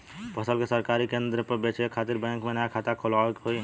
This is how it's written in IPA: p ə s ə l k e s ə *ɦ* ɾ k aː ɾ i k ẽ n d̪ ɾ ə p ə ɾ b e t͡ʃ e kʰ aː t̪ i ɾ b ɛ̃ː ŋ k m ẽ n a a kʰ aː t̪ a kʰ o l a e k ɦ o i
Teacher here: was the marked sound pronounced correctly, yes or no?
no